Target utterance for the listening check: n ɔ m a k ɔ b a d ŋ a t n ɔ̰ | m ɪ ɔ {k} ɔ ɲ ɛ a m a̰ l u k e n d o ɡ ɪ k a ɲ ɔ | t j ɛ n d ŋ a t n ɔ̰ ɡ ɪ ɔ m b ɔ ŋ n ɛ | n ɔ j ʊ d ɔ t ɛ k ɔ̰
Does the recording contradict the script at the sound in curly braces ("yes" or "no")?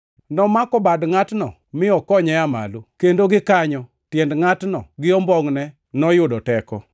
no